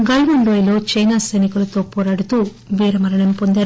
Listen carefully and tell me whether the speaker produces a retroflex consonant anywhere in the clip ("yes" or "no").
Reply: yes